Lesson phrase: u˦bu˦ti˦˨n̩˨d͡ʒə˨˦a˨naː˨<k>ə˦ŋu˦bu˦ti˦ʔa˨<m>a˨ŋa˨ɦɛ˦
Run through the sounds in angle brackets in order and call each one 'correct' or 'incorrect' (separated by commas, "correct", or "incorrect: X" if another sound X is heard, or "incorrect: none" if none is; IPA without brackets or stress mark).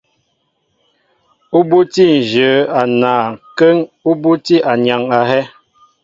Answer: correct, incorrect: ɲ